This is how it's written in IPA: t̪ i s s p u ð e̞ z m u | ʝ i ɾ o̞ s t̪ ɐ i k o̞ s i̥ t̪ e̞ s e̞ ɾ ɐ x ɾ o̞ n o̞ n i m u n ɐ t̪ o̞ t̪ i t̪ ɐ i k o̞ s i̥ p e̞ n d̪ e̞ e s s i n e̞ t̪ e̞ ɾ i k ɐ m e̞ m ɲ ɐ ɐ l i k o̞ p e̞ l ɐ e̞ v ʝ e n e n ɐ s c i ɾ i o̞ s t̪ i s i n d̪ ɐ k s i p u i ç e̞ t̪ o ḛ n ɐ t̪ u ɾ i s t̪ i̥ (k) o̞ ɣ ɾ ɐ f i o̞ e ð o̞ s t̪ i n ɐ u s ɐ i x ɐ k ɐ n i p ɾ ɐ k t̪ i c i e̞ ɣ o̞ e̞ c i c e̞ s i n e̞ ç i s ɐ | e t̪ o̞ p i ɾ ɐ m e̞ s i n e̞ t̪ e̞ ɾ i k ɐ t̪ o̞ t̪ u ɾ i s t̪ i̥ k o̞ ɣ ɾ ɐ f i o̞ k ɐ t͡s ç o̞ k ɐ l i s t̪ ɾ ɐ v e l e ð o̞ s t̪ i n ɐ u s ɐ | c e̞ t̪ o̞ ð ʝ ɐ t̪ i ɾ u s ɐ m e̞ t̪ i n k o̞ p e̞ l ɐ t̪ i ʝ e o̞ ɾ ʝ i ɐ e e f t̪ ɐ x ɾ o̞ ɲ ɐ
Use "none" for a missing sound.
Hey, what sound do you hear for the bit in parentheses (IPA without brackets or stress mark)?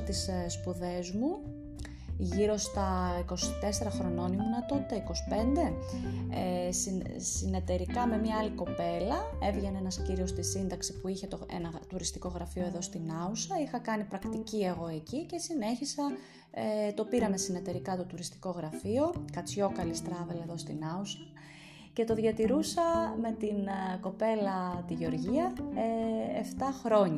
k